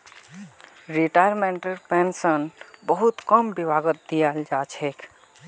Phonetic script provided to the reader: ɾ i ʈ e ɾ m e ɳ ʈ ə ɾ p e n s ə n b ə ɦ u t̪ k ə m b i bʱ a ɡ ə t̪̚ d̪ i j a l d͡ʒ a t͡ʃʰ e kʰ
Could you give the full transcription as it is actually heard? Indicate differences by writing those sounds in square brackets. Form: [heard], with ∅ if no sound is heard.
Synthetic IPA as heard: ɾ i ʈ [a] ɾ m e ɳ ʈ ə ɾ p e n s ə n b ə ɦ u t̪ k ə m b i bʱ a ɡ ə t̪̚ d̪ i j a l d͡ʒ a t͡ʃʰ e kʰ